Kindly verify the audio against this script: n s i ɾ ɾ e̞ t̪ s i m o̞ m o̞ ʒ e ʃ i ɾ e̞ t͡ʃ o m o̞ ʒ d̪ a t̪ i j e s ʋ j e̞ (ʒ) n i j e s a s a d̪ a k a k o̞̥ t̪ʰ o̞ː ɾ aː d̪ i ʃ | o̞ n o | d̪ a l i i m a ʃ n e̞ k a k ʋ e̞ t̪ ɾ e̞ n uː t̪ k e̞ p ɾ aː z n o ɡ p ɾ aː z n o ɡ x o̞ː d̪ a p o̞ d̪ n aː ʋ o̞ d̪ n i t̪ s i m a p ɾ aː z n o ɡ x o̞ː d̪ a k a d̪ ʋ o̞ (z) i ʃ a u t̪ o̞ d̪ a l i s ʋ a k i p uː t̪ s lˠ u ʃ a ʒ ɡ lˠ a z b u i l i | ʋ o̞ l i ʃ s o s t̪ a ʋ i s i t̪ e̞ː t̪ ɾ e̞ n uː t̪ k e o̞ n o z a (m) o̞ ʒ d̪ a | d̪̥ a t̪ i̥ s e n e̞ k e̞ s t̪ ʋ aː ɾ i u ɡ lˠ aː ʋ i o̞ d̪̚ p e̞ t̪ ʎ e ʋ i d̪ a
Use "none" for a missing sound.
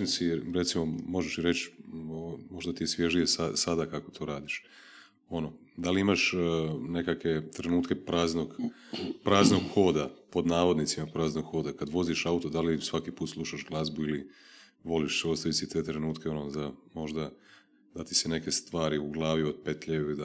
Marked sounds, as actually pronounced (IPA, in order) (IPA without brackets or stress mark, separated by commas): ʒ, z, m